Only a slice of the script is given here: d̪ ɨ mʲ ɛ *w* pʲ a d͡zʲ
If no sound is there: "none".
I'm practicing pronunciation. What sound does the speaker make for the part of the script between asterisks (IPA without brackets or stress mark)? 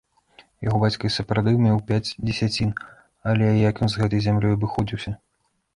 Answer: w